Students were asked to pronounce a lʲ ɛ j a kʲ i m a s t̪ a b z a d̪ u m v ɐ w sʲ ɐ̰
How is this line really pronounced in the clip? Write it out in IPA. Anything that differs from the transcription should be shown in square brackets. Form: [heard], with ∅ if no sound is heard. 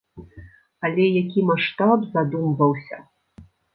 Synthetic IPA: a lʲ ɛ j a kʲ i m a [ʂ] t̪ a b z a d̪ u m v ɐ w sʲ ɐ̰